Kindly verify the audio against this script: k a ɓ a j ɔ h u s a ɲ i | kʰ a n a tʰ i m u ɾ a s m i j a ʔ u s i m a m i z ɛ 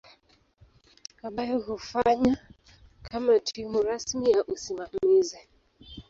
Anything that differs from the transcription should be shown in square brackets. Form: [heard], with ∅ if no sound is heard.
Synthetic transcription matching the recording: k a ɓ a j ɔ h u [f] a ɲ [a] | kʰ a [m] a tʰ i m u ɾ a s m i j a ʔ u s i m a m i z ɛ